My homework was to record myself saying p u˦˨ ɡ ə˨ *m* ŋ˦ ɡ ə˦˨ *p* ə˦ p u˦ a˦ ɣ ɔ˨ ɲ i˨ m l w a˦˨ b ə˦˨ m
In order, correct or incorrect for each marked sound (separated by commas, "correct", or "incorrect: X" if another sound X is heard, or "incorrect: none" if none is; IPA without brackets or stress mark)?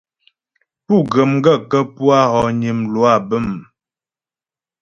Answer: correct, incorrect: k